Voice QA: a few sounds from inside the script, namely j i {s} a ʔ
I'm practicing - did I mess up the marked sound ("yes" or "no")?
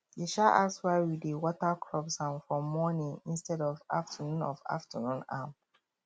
yes